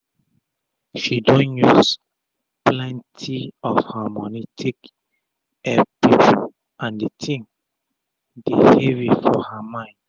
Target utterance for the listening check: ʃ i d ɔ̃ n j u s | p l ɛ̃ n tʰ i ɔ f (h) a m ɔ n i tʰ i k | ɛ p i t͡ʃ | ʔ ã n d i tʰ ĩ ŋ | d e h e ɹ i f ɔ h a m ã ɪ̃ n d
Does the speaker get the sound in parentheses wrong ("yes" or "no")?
no